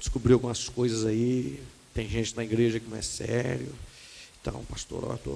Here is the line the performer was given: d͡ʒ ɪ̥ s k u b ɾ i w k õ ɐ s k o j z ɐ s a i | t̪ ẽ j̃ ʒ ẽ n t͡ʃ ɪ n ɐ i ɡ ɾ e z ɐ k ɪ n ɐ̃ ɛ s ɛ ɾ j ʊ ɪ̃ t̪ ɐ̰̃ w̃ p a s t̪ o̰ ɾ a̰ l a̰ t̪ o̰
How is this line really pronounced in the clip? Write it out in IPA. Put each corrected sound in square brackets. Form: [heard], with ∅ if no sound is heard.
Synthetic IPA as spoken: d͡ʒ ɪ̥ s k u b ɾ i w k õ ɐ s k o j z ɐ [z] a i | t̪ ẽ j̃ ʒ ẽ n t͡ʃ ɪ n ɐ i ɡ ɾ e [ʒ] ɐ k ɪ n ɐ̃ ɛ s ɛ ɾ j ʊ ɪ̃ t̪ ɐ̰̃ w̃ p a s t̪ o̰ ɾ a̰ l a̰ t̪ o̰